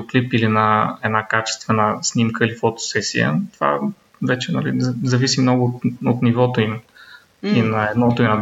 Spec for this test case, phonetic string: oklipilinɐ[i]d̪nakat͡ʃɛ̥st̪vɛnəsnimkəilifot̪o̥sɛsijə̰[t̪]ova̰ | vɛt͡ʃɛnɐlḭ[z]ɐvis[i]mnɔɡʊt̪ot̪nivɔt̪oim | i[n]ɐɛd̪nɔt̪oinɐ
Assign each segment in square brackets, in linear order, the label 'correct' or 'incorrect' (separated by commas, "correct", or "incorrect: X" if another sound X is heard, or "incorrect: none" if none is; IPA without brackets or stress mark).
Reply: incorrect: ɛ, correct, correct, correct, correct